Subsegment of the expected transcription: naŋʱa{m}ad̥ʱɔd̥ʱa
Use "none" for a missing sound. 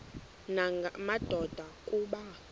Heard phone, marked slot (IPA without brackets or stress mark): m